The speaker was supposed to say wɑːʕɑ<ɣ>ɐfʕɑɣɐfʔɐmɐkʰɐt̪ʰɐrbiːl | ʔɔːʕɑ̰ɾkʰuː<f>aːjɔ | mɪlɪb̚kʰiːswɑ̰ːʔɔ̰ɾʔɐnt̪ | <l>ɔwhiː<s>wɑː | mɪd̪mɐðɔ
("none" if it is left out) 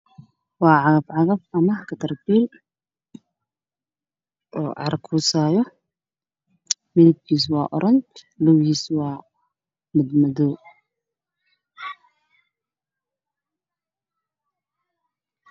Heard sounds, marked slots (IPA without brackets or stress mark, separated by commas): ɣ, s, l, s